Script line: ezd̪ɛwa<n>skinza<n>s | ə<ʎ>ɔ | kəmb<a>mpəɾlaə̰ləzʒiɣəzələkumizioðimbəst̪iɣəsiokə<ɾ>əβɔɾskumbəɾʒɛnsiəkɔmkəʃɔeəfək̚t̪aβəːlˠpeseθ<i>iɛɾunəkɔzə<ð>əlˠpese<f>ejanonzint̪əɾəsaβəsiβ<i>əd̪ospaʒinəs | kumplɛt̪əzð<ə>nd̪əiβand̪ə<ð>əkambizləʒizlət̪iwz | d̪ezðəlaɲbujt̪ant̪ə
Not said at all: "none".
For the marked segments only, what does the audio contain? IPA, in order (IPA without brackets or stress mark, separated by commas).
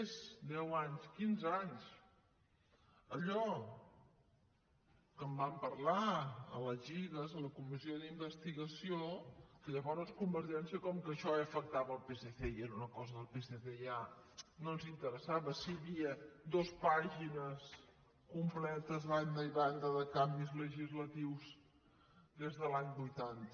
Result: ɲ, ɲ, ʎ, a, ʎ, e, ð, θ, i, a, ð